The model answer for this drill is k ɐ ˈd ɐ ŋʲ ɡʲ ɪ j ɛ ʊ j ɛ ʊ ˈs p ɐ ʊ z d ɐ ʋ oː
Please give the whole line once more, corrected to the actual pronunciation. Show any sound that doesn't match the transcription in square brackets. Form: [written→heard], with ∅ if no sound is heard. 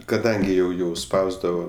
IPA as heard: k ɐ ˈd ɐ ŋʲ ɡʲ ɪ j ɛ ʊ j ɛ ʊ ˈs p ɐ ʊ z d ɐ ʋ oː